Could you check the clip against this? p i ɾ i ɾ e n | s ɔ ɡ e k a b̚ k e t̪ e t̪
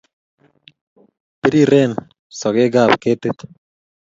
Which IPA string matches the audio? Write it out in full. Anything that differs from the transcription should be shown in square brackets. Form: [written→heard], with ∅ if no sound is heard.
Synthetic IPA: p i ɾ i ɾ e n | s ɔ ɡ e [k→ɡ] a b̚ k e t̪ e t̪